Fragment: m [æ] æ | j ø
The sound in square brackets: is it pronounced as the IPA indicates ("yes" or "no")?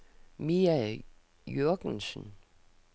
no